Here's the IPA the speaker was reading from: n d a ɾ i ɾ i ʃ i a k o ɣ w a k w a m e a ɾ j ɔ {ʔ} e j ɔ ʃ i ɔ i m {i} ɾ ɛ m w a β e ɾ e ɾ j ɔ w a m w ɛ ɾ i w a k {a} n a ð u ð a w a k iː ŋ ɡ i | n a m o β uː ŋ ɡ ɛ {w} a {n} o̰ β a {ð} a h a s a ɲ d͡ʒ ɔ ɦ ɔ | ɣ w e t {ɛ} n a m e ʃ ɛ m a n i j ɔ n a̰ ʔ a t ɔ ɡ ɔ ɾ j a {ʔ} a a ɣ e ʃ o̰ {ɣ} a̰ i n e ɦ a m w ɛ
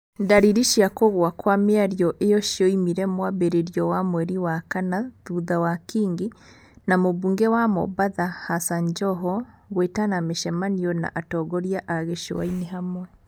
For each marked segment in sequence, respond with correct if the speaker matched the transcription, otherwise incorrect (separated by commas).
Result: correct, correct, correct, correct, incorrect, correct, incorrect, correct, incorrect